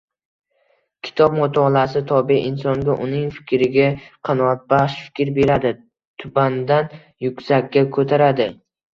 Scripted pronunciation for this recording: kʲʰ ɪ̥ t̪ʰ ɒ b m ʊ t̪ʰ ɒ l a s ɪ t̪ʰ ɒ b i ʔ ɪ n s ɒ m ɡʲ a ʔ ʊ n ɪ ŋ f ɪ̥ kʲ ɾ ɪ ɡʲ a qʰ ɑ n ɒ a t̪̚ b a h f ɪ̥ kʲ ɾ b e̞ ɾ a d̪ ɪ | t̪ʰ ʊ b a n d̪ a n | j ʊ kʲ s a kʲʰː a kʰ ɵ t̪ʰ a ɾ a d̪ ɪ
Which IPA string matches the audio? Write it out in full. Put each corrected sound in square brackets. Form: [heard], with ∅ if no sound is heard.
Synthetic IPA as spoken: kʲʰ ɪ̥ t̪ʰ ɒ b m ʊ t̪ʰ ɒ l a s ɪ t̪ʰ ɒ b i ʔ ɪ n s ɒ [ŋ] ɡʲ a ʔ ʊ n ɪ ŋ f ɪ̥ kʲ ɾ ɪ ɡʲ a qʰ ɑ n ɒ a t̪̚ b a [ʃ] f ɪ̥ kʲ ɾ b e̞ ɾ a d̪ ɪ | t̪ʰ ʊ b a n d̪ a n | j ʊ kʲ s a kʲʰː a kʰ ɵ t̪ʰ a ɾ a d̪ ɪ